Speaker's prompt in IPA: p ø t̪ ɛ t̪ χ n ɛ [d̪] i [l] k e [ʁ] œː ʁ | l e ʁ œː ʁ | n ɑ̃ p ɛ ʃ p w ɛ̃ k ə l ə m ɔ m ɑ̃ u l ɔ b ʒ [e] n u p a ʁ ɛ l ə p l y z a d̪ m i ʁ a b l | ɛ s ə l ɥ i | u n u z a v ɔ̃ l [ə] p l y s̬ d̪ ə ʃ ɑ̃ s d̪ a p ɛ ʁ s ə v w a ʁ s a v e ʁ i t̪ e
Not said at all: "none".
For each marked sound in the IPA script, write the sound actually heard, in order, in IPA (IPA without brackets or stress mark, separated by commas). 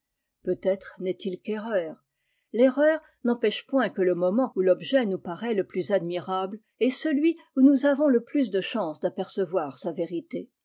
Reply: t̪, l, ʁ, ɛ, ə